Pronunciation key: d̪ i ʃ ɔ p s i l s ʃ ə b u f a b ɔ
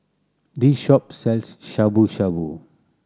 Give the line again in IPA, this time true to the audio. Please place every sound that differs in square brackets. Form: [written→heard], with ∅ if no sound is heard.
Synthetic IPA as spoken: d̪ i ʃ ɔ p s [i→ɛ] l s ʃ [ə→a] b u [f→ʃ] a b [ɔ→u]